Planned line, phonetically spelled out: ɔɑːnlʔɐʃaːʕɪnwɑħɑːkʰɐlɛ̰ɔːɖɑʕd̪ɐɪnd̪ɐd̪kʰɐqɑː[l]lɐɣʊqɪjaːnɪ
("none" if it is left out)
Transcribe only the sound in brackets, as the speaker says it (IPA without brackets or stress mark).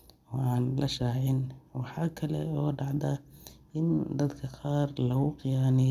r